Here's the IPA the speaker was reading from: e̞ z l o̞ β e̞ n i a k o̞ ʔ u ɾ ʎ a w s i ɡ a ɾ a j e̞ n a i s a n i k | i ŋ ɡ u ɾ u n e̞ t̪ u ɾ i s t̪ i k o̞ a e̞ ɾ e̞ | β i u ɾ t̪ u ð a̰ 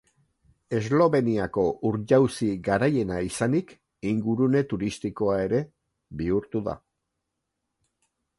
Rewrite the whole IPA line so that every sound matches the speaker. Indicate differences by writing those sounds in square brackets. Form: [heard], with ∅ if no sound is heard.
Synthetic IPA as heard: e̞ z l o̞ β e̞ n i a k o̞ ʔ u ɾ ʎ a w s i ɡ a ɾ a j e̞ n a i s a n i k | i ŋ ɡ u ɾ u n e̞ t̪ u ɾ i s t̪ i k o̞ a e̞ ɾ e̞ | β i u ɾ t̪ u ð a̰